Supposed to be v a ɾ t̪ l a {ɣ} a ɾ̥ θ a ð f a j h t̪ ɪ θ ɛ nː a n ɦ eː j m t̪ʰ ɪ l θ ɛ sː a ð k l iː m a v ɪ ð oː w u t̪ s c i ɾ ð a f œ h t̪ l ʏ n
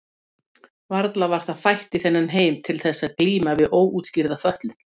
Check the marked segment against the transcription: incorrect: v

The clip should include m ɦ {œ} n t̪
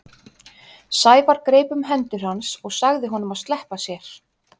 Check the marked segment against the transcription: incorrect: ɛ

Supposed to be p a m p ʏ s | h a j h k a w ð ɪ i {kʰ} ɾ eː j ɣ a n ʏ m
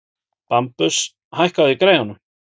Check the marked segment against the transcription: incorrect: k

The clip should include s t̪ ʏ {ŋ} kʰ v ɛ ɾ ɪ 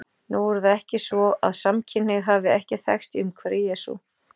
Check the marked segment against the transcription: incorrect: m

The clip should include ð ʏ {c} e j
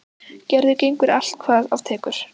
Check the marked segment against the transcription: correct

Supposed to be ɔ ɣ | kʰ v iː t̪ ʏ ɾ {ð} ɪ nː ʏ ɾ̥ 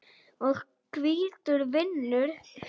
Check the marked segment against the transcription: incorrect: v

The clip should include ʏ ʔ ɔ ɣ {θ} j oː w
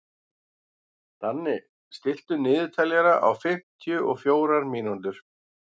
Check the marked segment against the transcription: incorrect: f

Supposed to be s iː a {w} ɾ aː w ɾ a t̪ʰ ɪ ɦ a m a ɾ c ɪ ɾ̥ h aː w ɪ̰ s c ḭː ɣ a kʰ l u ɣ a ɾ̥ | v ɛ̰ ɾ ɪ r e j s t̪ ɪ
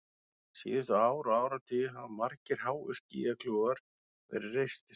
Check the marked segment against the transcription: correct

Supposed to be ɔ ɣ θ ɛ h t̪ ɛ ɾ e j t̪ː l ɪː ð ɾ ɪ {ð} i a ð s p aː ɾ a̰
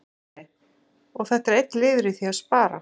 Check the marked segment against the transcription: incorrect: θ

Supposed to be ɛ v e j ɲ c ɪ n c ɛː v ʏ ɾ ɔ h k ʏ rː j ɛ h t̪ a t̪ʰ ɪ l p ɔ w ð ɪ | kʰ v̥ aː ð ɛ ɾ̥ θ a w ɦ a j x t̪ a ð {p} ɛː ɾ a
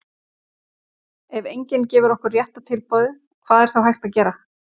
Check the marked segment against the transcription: incorrect: c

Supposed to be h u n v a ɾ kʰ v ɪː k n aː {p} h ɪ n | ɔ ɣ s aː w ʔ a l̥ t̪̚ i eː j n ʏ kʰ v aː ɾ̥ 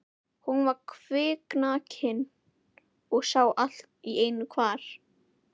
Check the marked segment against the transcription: incorrect: c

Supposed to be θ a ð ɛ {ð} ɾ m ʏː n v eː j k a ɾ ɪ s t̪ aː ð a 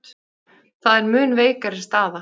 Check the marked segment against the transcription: incorrect: none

